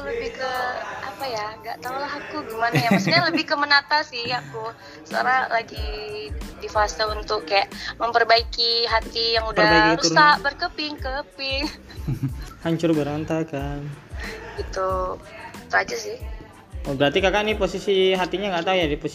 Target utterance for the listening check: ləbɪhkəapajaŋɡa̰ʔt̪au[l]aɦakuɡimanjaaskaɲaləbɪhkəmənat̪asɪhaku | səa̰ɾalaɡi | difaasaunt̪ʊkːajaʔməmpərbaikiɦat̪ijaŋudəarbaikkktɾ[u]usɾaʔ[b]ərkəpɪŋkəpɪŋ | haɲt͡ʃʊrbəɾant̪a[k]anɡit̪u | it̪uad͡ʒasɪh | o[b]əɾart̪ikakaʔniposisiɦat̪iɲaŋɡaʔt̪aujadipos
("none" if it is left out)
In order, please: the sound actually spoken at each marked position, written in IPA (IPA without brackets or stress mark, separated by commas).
l, u, b, k, b